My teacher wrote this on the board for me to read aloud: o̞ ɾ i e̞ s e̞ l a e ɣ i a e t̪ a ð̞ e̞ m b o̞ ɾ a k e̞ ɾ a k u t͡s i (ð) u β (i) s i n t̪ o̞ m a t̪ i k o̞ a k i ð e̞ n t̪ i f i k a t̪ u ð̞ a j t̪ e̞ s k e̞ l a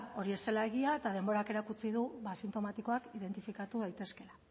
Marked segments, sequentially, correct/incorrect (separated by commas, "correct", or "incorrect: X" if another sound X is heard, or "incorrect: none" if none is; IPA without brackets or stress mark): correct, incorrect: a